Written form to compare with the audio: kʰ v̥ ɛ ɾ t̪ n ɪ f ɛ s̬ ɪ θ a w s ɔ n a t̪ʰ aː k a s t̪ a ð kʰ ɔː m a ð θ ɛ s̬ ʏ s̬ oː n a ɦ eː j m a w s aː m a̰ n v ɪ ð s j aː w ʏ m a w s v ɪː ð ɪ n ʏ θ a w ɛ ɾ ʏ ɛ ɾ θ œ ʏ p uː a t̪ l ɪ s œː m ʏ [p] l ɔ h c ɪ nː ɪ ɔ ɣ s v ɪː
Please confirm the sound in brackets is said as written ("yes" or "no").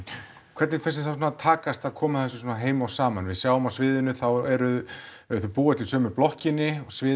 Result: yes